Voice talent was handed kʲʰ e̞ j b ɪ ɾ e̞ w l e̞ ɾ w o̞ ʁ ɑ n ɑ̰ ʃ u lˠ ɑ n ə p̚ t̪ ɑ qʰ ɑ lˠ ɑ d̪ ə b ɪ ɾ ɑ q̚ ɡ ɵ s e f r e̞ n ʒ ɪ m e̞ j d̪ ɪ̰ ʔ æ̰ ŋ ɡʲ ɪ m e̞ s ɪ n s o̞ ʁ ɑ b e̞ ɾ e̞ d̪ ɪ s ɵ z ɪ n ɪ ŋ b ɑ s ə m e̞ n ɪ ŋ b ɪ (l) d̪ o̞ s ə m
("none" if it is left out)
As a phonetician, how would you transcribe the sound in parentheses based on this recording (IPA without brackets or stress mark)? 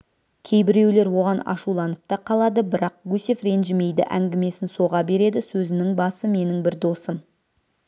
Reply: ɾ